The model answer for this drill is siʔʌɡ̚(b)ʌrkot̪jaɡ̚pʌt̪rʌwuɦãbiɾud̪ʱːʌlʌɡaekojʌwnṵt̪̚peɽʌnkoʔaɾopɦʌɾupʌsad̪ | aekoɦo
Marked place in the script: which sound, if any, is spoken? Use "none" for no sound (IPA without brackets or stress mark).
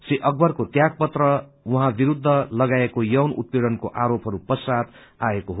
b